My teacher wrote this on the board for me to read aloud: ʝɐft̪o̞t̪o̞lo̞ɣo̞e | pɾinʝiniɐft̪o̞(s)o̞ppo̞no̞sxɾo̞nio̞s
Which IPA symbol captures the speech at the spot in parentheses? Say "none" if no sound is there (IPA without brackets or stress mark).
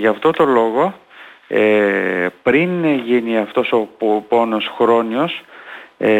s